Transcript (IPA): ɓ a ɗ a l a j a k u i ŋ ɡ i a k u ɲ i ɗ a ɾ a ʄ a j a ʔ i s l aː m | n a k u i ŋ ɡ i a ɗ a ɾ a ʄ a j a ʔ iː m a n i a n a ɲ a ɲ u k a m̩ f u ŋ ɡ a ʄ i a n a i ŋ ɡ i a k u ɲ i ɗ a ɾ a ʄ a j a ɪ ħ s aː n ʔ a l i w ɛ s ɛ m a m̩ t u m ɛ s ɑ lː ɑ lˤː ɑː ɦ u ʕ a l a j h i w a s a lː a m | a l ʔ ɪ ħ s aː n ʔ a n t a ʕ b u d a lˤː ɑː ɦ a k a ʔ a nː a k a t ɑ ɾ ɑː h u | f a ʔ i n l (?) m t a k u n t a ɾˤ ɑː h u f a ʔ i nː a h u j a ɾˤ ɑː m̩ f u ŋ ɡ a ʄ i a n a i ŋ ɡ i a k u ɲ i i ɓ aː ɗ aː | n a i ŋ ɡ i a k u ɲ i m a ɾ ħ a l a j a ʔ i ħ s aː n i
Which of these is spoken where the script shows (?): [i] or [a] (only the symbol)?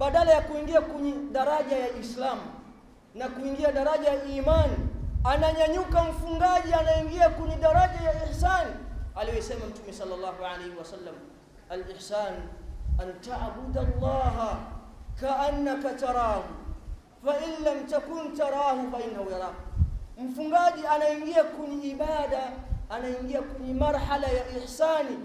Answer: a